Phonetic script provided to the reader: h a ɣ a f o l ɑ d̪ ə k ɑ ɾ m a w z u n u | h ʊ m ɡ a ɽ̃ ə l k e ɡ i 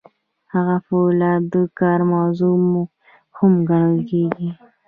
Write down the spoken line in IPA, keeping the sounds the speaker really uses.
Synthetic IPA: h a ɣ a f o l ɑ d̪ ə k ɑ ɾ m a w z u m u | h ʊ m ɡ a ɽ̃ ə l k e ɡ i